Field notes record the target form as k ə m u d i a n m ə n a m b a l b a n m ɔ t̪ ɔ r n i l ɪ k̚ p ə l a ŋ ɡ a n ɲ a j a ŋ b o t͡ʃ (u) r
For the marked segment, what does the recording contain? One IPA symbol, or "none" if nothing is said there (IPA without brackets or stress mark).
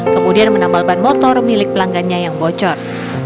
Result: ɔ